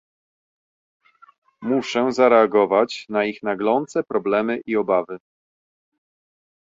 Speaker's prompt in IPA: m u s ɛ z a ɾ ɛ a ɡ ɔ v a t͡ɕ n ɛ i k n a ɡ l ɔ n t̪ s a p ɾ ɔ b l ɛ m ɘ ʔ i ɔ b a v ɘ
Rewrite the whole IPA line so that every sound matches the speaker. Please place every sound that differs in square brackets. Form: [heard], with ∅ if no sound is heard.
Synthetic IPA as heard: m u [ʂ] ɛ z a ɾ ɛ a ɡ ɔ v a t͡ɕ n [a] i [x] n a ɡ l ɔ n t̪ s [ɛ] p ɾ ɔ b l ɛ m ɘ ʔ i ɔ b a v ɘ